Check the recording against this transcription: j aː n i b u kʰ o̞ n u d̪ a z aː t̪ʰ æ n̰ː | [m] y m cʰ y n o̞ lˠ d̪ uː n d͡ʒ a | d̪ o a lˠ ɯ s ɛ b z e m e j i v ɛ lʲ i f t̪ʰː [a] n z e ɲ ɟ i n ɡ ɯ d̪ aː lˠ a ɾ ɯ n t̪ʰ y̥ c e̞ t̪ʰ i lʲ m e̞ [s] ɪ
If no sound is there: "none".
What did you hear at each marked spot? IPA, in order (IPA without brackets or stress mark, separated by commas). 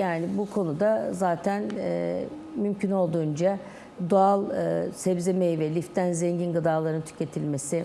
m, æ, s